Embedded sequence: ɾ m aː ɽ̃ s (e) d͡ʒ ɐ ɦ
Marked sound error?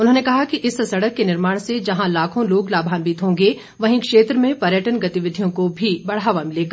no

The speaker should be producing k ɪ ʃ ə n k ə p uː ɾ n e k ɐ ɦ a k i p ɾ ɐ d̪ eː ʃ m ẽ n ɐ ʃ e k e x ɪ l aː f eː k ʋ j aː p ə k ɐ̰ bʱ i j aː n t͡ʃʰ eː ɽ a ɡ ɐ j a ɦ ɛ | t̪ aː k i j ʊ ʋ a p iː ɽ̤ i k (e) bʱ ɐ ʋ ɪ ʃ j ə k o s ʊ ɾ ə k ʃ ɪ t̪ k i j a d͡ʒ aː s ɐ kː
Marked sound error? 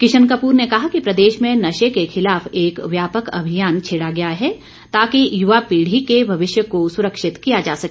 no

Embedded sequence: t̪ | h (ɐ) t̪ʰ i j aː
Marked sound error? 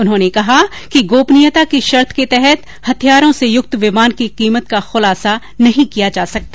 no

